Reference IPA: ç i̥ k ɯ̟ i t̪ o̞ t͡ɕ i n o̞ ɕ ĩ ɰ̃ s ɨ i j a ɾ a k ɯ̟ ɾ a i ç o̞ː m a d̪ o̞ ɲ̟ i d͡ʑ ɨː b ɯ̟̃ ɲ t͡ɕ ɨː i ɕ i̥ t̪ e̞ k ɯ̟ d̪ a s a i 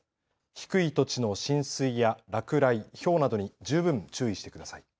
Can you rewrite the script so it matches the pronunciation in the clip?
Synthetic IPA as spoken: ç i̥ k ɯ̟ i t̪ o̞ t͡ɕ i n o̞ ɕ ĩ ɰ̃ s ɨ i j a ɾ a k ɯ̟ ɾ a i ç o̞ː n a d̪ o̞ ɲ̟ i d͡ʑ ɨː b ɯ̟̃ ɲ t͡ɕ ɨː i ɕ i̥ t̪ e̞ k ɯ̟ d̪ a s a i